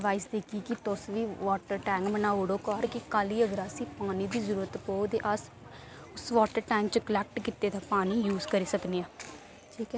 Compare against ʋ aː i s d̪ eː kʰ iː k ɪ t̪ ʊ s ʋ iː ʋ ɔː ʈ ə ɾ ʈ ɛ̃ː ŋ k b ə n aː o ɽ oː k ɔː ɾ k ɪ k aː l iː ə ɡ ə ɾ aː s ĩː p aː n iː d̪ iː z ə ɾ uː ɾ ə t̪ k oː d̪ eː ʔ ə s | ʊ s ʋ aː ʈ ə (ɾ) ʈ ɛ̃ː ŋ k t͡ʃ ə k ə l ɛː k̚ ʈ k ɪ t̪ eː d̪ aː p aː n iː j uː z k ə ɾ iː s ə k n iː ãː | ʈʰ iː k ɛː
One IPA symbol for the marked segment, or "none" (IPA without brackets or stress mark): ɾ